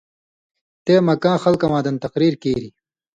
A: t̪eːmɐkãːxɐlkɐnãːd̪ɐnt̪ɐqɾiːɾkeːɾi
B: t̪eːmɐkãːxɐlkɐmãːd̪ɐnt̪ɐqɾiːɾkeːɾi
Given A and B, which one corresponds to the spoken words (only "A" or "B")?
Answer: B